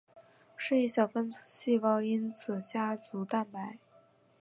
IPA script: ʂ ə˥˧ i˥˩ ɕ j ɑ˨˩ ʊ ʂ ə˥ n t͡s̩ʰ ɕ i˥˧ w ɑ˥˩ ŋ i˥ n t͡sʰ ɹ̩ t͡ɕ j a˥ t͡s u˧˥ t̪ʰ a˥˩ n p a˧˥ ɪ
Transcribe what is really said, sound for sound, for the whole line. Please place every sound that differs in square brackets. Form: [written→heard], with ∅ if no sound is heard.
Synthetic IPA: ʂ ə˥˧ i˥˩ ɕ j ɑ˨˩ ʊ [ʂ→f] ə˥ n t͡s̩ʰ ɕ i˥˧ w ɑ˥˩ ŋ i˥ n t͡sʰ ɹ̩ t͡ɕ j a˥ t͡s u˧˥ [t̪ʰ→t̪] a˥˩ n p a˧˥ ɪ